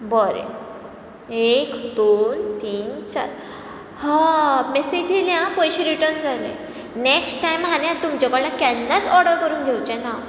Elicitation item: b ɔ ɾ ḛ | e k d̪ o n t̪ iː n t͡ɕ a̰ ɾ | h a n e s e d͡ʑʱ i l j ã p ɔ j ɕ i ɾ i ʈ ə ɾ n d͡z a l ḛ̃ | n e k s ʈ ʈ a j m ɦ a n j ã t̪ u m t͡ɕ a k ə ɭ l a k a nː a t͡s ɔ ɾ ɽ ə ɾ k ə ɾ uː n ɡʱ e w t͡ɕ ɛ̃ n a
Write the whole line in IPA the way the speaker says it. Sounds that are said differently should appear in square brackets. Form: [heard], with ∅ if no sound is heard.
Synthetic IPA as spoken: b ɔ ɾ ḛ | e k d̪ o n t̪ iː n t͡ɕ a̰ ɾ | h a [m] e s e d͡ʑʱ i l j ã p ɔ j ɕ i ɾ i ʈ ə ɾ n d͡z a l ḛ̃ | n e k s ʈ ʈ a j m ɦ a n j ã t̪ u m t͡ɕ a k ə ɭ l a k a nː a t͡s ɔ ɾ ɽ ə ɾ k ə ɾ uː n ɡʱ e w t͡ɕ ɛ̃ n a